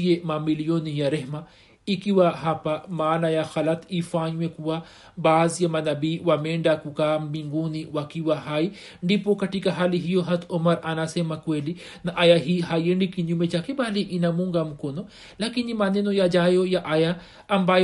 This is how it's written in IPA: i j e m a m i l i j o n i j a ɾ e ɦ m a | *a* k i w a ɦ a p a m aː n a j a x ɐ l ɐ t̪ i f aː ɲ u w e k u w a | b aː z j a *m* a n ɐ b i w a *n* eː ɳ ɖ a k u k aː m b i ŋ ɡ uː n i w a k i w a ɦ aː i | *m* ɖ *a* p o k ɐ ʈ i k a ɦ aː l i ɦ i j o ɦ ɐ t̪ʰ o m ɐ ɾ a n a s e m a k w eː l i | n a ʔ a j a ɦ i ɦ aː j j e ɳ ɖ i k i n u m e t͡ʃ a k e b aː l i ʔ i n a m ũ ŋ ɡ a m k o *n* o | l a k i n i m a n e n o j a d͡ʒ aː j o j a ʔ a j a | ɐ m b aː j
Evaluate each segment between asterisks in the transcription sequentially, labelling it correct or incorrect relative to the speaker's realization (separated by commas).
incorrect, correct, incorrect, incorrect, incorrect, correct